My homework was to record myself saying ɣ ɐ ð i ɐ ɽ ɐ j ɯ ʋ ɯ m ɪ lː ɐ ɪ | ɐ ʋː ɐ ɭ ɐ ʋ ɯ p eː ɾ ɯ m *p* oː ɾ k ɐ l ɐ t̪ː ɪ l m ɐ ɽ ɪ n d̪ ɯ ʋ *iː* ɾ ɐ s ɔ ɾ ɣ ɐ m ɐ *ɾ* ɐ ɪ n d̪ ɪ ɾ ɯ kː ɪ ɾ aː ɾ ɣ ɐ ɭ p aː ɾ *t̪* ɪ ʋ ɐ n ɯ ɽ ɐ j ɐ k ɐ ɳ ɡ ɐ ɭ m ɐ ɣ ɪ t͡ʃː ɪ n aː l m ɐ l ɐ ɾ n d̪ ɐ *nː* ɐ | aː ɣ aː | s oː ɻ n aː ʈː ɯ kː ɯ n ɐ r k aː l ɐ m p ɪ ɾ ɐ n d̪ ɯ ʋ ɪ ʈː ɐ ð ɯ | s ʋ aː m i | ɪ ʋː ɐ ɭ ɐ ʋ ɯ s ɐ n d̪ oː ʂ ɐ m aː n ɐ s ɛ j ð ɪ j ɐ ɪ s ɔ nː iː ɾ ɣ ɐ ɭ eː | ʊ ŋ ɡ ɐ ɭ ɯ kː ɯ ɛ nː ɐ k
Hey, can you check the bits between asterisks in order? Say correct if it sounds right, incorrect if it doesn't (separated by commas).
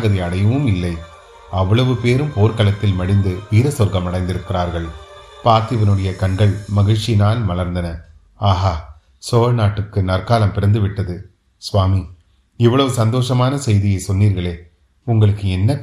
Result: correct, correct, incorrect, correct, incorrect